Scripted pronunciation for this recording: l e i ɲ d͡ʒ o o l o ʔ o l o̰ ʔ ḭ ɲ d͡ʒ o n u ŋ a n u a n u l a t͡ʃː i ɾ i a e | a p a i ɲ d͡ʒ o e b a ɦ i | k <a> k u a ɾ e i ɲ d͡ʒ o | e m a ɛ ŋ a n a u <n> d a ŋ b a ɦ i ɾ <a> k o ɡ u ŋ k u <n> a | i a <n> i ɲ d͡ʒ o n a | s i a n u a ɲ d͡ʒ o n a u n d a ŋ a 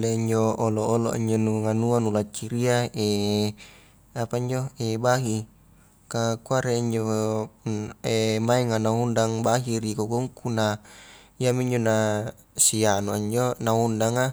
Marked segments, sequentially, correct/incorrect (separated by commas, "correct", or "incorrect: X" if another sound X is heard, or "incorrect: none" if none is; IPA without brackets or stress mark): correct, correct, incorrect: i, correct, incorrect: m